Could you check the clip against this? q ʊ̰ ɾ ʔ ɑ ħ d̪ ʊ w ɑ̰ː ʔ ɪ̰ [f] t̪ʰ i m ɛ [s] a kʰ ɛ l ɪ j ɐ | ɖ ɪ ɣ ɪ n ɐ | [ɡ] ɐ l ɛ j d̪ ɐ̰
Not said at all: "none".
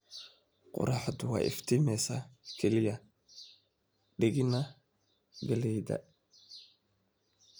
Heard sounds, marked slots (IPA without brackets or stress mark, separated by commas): f, s, ɡ